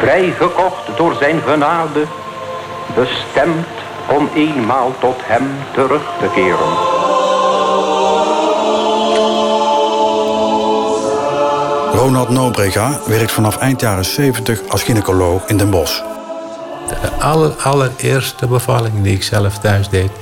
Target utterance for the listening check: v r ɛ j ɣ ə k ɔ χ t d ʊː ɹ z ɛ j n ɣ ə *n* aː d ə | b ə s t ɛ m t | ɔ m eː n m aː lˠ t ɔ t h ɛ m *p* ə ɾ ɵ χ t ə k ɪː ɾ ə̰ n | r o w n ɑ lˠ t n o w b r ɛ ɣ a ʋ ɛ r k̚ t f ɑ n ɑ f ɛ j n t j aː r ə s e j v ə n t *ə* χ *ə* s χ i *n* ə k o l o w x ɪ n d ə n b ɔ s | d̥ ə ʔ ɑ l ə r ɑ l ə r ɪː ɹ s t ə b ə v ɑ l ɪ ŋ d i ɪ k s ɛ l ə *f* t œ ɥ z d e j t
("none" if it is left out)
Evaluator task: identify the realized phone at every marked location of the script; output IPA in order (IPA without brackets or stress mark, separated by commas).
n, t, ə, ɑ, n, f